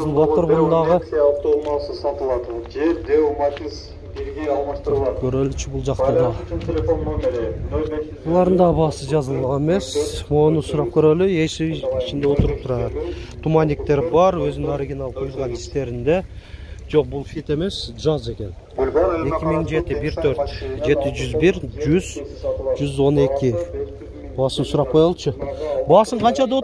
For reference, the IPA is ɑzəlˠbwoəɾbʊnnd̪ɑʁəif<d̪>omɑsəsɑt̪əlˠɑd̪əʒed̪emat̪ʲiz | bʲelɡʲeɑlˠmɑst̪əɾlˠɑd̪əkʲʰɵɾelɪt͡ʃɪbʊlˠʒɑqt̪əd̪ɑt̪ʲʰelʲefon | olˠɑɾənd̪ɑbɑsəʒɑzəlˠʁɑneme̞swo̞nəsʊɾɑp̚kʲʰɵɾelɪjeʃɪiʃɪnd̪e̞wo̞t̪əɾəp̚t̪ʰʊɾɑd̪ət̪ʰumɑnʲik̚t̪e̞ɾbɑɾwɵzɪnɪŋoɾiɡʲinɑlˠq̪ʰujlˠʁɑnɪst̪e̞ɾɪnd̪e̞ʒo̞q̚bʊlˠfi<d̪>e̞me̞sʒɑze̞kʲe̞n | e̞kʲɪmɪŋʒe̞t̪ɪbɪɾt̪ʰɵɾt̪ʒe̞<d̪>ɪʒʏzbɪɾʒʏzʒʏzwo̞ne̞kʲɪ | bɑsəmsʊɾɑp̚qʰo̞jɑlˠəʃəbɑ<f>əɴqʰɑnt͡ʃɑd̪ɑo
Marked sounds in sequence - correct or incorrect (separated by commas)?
incorrect, incorrect, incorrect, incorrect